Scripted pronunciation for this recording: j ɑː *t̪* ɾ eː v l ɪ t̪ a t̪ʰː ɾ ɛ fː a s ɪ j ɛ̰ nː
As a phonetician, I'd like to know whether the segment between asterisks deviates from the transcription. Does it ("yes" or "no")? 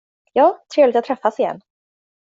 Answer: yes